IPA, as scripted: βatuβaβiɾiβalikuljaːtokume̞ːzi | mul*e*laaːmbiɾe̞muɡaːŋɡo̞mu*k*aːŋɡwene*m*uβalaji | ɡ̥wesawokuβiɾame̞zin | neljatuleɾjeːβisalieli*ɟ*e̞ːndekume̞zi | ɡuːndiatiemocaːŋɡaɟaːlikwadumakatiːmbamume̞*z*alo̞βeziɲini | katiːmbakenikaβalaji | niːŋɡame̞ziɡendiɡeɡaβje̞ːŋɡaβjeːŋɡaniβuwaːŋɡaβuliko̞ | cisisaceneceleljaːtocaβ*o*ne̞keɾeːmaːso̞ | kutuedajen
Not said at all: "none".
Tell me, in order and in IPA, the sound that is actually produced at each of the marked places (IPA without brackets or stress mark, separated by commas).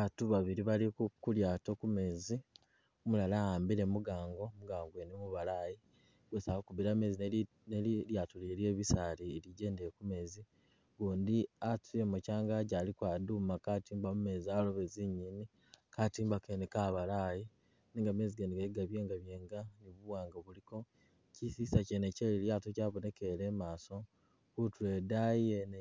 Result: a, ɡ, m, ɟ, z, o